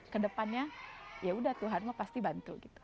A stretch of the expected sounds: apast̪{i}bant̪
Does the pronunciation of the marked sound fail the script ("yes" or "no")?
no